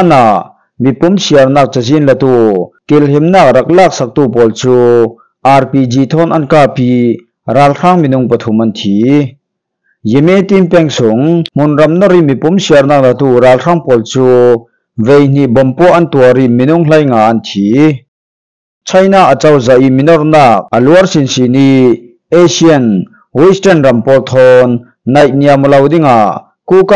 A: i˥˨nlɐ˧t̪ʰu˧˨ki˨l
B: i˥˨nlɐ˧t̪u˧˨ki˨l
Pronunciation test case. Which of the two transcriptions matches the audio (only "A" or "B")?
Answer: B